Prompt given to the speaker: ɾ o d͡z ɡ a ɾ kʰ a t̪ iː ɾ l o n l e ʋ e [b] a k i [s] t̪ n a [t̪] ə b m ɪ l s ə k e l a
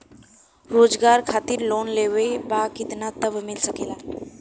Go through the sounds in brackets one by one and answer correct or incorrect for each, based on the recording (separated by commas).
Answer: correct, incorrect, correct